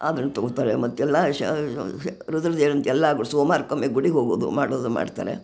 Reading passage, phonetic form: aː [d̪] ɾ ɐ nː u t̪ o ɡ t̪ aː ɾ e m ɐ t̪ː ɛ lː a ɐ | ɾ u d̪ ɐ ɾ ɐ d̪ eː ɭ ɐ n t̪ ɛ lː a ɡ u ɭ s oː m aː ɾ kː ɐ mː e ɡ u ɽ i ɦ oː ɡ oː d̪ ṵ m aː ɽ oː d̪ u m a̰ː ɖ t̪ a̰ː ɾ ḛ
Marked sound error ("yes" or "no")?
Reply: no